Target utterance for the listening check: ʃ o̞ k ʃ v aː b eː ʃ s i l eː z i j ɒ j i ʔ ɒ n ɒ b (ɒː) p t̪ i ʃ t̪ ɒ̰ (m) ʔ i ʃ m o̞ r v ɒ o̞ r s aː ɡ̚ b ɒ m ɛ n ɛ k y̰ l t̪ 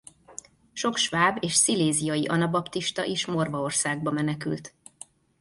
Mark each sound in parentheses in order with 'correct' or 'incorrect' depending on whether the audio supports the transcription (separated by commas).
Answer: incorrect, incorrect